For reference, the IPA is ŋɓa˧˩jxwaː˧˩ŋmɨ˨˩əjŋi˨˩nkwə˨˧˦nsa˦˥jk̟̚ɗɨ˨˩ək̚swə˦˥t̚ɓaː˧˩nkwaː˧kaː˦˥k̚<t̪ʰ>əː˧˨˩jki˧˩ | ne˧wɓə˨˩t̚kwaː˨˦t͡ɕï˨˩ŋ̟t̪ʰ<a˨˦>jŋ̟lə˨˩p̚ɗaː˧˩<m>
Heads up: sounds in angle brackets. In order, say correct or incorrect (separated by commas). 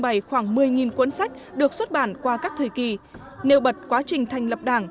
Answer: correct, incorrect, incorrect